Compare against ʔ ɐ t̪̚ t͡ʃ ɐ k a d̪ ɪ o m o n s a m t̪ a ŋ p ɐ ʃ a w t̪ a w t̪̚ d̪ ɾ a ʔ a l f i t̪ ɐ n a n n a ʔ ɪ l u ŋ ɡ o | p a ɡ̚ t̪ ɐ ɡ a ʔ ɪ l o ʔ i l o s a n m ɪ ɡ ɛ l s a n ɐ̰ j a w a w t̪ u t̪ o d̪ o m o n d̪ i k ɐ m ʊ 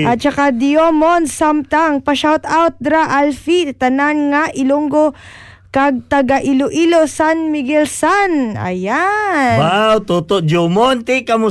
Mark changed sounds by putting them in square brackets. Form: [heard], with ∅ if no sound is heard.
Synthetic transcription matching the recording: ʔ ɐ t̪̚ t͡ʃ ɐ k a d̪ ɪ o m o n s a m t̪ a ŋ p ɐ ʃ a w t̪ a w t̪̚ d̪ ɾ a ʔ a l f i t̪ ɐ n a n [ŋ] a ʔ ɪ l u ŋ ɡ o | [k] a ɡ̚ t̪ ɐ ɡ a ʔ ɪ l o ʔ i l o s a n m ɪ ɡ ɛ l s a n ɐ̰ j a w a w t̪ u t̪ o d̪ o m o n [t̪] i k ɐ m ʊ